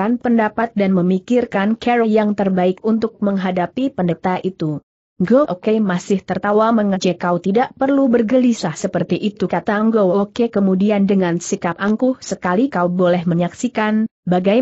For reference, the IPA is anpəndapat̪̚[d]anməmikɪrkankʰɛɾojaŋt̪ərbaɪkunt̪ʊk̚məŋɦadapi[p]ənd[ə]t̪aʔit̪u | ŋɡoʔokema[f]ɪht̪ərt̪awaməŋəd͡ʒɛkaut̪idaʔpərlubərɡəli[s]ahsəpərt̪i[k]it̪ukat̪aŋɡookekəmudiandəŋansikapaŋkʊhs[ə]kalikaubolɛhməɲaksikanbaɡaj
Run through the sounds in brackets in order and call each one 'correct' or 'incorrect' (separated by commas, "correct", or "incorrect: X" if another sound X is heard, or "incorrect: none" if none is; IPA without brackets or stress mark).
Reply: correct, correct, correct, incorrect: s, correct, incorrect: ʔ, correct